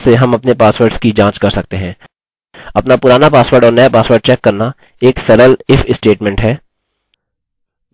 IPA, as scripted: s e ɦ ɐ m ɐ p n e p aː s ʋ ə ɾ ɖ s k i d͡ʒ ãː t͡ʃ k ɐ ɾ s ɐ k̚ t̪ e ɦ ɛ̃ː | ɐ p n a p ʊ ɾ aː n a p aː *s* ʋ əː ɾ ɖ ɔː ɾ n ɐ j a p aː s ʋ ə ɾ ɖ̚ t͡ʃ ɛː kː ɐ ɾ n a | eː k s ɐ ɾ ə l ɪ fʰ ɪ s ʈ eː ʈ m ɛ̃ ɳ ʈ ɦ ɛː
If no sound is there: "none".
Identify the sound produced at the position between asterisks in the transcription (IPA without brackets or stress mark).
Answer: s